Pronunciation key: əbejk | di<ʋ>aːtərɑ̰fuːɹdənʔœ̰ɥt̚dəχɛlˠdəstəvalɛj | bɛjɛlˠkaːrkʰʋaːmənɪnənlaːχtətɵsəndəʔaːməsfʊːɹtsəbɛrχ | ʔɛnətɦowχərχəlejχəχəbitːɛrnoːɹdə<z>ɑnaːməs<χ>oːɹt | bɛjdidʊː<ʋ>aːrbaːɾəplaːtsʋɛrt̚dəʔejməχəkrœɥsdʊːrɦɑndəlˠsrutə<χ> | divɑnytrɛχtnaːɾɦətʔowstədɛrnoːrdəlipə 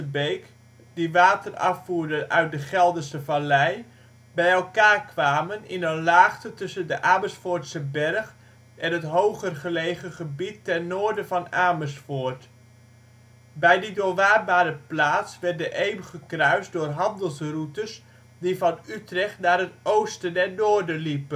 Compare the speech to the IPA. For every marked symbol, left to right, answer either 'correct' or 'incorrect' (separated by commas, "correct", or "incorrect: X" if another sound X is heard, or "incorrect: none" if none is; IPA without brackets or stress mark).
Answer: correct, incorrect: v, incorrect: f, correct, incorrect: s